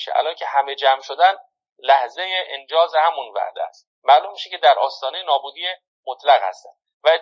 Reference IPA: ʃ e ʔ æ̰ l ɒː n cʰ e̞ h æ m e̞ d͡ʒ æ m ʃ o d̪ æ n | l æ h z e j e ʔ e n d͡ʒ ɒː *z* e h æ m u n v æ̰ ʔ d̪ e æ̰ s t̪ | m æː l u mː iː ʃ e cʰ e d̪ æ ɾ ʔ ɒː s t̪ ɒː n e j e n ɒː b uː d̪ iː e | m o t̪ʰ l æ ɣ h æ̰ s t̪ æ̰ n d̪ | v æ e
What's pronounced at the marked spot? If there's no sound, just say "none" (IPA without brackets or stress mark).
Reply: z